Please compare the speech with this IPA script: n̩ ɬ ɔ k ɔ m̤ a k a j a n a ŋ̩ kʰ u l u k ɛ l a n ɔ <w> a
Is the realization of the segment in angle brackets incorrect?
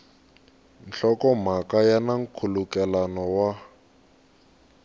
no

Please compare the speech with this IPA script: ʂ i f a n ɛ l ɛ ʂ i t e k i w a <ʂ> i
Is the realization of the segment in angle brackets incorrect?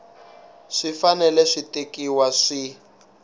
no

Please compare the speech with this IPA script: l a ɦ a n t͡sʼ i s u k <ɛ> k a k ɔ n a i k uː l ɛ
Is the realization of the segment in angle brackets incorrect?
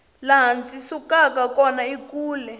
yes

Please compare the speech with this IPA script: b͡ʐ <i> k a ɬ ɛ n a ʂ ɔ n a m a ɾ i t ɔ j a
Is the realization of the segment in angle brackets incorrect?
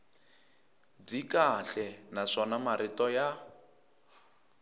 no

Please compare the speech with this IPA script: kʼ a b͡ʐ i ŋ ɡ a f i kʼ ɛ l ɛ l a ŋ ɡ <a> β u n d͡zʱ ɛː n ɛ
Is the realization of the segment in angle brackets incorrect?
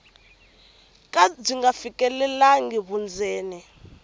yes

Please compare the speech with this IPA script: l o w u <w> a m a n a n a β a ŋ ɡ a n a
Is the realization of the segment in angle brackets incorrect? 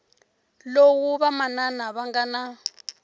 yes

